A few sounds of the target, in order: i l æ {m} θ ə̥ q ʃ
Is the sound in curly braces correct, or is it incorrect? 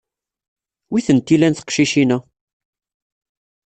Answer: incorrect